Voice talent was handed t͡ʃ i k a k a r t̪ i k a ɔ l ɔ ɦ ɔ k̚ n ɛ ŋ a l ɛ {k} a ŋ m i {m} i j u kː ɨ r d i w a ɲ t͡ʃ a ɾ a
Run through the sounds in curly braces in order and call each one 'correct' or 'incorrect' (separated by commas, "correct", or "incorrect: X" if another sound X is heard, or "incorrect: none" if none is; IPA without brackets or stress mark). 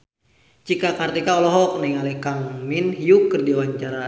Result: correct, incorrect: n